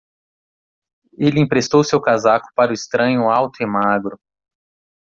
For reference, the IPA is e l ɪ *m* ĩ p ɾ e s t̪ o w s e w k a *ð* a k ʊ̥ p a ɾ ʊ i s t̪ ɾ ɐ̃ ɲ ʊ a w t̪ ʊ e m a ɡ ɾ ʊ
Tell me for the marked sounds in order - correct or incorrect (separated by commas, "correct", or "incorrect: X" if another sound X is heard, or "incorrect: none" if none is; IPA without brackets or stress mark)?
incorrect: none, incorrect: z